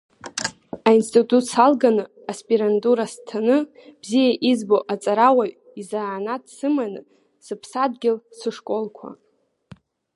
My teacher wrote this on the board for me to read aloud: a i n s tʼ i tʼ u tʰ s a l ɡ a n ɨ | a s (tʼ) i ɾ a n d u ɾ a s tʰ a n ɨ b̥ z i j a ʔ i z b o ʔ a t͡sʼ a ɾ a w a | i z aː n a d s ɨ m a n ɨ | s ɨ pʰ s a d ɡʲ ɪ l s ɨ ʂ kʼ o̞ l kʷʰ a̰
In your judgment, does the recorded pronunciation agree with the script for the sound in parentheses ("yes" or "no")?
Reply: no